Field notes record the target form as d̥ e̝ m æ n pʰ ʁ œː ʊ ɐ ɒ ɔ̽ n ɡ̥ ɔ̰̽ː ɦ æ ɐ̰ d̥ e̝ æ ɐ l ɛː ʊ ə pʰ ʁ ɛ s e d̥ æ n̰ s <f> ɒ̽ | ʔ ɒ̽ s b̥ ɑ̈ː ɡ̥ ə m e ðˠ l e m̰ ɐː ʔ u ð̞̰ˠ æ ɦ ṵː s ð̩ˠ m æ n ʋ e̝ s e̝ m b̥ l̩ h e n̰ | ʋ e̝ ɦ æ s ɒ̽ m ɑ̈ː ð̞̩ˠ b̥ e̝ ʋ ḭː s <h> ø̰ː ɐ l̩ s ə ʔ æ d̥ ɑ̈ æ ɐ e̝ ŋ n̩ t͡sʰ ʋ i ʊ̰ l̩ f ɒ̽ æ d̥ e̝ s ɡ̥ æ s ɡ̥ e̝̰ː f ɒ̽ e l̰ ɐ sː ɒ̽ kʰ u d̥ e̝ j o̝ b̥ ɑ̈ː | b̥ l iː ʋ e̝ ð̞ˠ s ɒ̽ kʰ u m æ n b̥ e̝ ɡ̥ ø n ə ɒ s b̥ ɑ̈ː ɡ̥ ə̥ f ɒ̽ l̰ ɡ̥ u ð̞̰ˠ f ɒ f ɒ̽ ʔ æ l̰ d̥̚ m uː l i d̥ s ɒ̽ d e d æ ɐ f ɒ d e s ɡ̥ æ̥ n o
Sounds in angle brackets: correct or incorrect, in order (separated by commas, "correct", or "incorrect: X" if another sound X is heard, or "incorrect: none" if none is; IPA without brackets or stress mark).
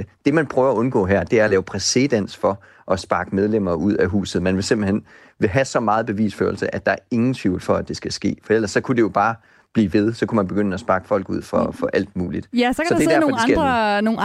correct, incorrect: f